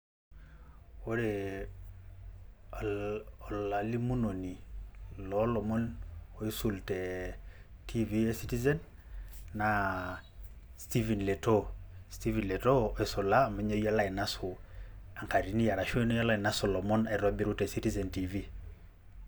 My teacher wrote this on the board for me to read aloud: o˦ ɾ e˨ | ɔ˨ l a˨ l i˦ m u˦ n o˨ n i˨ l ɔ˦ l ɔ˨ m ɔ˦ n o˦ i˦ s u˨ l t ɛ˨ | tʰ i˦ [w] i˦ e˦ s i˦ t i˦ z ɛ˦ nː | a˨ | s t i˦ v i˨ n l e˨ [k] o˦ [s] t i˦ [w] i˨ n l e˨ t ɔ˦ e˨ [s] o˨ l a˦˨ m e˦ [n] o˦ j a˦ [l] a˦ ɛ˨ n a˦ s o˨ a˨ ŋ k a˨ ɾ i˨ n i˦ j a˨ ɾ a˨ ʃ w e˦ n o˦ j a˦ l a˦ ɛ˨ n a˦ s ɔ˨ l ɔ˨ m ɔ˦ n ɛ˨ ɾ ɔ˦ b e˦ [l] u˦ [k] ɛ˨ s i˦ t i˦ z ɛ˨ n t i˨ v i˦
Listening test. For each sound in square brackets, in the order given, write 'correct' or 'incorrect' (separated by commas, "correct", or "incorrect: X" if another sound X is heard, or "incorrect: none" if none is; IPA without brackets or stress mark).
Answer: incorrect: v, incorrect: t, correct, incorrect: v, correct, incorrect: ɲ, correct, incorrect: ɾ, incorrect: t